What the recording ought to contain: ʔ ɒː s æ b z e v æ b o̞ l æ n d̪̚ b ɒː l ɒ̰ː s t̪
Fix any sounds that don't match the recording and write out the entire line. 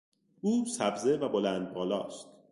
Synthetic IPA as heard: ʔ uː s æ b z e v æ b o̞ l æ n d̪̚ b ɒː l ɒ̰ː s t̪